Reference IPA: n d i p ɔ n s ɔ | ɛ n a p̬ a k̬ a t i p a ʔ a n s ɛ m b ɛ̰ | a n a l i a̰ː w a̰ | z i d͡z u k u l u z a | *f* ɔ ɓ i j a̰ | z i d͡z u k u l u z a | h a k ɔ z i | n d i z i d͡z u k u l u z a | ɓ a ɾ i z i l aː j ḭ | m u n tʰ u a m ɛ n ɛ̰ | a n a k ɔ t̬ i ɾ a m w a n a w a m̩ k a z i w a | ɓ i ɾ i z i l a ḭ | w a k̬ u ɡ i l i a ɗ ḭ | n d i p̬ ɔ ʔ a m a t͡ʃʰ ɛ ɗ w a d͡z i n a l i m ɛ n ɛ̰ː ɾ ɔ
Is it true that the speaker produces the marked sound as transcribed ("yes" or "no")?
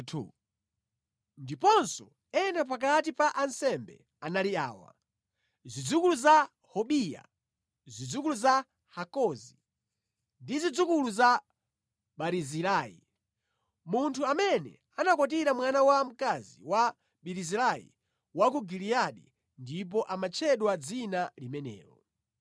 no